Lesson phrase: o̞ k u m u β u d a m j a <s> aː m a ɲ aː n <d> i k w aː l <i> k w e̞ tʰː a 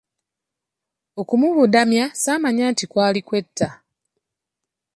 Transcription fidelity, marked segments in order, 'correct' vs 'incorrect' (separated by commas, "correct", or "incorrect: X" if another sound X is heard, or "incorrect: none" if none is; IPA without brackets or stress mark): correct, incorrect: t, correct